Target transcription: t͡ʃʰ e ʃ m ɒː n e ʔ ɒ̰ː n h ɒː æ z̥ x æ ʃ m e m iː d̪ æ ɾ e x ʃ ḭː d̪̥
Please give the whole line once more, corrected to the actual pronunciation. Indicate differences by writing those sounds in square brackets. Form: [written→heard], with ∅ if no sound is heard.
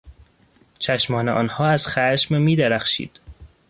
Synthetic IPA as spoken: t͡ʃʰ [e→æ] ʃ m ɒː n e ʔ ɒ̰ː n h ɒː æ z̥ x æ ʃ m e m iː d̪ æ ɾ [e→æ] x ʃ ḭː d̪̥